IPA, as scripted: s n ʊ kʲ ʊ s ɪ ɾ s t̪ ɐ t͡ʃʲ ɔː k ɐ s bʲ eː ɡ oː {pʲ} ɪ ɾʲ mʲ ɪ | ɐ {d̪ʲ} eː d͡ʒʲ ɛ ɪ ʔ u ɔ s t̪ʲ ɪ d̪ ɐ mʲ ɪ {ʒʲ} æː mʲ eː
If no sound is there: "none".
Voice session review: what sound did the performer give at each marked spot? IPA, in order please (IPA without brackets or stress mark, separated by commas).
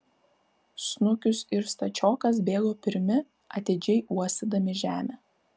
pʲ, t̪ʲ, ʒʲ